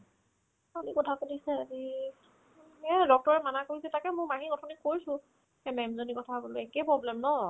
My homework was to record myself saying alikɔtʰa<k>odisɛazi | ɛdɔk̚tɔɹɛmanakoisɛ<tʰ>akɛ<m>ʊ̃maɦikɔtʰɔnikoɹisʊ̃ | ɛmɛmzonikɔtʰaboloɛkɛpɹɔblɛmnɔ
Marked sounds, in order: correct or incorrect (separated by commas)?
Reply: correct, incorrect, correct